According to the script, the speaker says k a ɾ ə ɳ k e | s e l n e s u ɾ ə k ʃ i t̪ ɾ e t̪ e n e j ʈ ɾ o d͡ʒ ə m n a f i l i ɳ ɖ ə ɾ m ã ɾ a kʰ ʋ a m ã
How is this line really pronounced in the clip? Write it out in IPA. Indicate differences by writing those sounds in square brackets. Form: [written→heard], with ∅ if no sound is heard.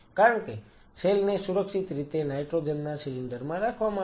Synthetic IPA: k a ɾ ə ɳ k e | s e l n e s u ɾ ə k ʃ i t̪ ɾ [e→i] t̪ e n [e→a] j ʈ ɾ o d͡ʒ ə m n a [f→s] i l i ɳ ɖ ə ɾ m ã ɾ a kʰ ʋ a m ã